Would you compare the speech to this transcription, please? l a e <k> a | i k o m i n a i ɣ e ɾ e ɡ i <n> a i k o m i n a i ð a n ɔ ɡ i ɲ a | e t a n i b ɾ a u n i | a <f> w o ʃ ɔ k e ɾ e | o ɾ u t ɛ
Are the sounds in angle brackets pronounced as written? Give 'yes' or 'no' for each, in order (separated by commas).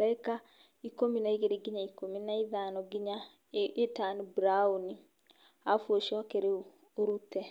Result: yes, no, yes